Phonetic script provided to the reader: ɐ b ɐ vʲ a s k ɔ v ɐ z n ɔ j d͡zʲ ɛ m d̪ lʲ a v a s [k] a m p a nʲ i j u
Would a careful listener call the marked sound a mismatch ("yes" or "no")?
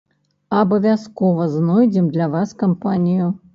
no